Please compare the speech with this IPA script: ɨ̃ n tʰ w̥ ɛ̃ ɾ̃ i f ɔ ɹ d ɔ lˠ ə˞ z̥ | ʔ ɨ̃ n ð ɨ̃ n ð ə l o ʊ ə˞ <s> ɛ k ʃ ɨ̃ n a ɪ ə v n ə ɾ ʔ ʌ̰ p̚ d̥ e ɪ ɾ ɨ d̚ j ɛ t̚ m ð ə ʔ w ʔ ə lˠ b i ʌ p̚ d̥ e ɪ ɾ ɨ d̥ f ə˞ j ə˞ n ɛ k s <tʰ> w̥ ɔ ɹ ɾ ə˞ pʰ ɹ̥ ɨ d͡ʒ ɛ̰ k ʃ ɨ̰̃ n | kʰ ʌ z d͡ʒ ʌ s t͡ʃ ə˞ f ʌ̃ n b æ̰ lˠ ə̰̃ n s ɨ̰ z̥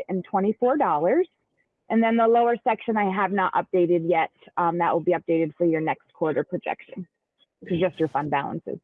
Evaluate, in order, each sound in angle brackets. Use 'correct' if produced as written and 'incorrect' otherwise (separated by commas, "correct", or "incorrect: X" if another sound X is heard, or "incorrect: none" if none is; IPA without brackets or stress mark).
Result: correct, incorrect: kʰ